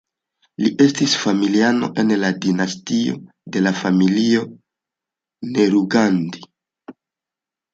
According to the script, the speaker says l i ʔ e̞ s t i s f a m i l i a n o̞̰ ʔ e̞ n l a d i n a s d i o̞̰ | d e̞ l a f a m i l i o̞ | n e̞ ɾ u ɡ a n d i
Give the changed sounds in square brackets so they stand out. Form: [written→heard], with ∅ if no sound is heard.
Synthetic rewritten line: l i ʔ e̞ s t i s f a m i l i a n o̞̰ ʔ e̞ n l a d i n a s [d→t] i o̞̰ | d e̞ l a f a m i l i o̞ | n e̞ ɾ u ɡ a n d i